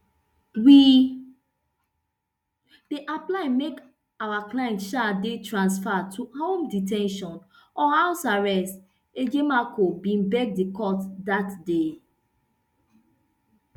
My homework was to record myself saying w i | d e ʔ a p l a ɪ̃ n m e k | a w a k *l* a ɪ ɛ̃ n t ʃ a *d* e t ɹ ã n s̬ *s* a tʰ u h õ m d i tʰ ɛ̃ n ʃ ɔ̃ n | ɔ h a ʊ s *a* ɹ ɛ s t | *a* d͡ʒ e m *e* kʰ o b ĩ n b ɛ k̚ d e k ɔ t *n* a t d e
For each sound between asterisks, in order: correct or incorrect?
correct, correct, incorrect, correct, incorrect, incorrect, incorrect

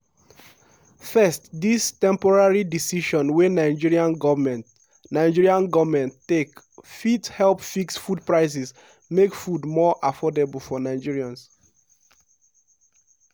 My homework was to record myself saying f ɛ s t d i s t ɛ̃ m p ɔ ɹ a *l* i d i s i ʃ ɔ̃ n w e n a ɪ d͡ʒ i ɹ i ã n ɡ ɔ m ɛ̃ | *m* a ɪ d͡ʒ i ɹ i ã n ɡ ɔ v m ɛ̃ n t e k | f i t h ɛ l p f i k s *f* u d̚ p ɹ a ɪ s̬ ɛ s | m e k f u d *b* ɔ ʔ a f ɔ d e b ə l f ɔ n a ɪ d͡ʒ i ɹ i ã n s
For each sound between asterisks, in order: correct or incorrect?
incorrect, incorrect, correct, incorrect

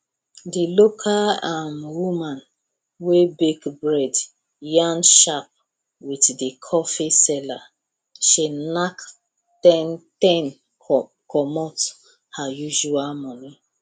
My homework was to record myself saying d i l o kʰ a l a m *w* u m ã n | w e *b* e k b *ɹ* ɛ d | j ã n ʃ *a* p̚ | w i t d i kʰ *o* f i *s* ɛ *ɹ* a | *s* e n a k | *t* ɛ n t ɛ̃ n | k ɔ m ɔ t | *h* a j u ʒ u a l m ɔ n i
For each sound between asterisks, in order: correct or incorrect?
correct, correct, correct, correct, incorrect, correct, incorrect, incorrect, correct, correct

